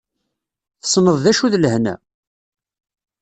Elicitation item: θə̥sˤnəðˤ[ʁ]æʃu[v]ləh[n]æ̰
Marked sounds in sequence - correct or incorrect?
incorrect: ð, incorrect: ð, correct

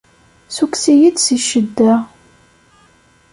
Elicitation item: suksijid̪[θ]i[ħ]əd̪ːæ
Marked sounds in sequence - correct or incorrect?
incorrect: s, incorrect: ʃ

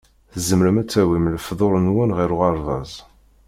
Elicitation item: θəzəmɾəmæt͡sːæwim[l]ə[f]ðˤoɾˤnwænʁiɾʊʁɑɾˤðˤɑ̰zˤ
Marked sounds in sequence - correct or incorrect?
correct, correct

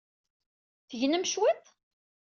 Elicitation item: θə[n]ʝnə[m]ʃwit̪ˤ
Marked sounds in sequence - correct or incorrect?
incorrect: none, correct

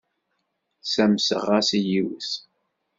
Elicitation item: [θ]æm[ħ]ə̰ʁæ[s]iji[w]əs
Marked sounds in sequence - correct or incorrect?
incorrect: s, incorrect: s, correct, correct

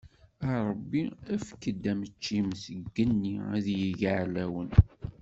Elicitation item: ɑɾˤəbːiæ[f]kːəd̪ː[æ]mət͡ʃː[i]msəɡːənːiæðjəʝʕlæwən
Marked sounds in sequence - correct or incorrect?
correct, correct, correct

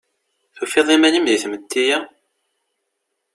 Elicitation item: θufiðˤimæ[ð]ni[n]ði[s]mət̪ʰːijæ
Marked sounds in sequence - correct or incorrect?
incorrect: none, incorrect: m, incorrect: θ

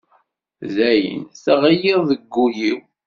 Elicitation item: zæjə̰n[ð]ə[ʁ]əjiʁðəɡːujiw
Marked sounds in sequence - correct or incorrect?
incorrect: θ, correct

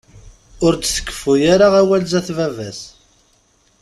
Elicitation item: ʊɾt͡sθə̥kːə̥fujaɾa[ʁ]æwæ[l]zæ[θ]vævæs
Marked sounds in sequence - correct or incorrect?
correct, correct, correct

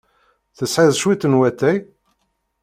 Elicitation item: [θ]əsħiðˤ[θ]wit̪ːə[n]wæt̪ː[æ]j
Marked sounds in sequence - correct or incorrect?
correct, incorrect: ʃ, correct, correct

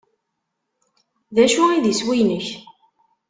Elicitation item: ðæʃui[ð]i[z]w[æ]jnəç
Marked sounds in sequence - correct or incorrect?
correct, incorrect: s, incorrect: i

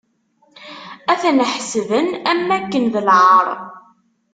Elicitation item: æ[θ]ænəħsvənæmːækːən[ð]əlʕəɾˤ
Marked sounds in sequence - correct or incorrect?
correct, correct

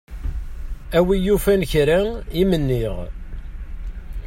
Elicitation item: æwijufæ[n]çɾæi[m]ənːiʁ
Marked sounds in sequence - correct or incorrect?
correct, correct

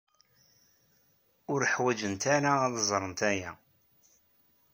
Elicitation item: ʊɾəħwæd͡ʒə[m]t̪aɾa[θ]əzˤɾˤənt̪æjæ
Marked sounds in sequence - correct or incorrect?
incorrect: n, incorrect: ð

